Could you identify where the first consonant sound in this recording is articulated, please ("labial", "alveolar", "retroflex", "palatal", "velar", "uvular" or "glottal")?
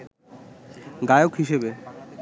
velar